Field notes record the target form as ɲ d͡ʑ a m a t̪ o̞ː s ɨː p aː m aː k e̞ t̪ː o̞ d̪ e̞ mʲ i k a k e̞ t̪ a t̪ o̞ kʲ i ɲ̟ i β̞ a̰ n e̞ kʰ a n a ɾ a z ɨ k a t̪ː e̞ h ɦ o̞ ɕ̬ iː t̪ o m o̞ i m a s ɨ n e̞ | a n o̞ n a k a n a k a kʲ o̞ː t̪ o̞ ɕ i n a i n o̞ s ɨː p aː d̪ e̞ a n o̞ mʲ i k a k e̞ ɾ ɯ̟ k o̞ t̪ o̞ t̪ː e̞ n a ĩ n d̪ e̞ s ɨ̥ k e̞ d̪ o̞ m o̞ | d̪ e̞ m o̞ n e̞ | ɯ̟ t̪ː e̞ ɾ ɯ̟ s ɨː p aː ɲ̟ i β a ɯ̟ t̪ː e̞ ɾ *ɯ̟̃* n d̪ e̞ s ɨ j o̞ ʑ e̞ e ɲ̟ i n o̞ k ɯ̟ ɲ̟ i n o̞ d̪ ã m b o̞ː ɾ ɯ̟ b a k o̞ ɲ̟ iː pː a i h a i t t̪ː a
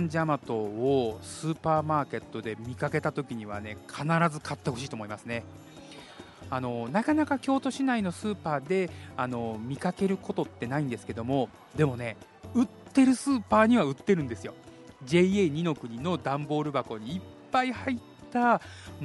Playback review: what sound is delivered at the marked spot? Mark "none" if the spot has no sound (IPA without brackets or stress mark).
ɯ̟̃